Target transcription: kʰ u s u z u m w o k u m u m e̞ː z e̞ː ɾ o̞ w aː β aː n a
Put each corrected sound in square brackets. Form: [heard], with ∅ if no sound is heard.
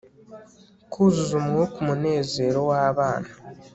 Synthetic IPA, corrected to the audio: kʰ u [z] u z u m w o k u m u [n] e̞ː z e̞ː ɾ o̞ w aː β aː n a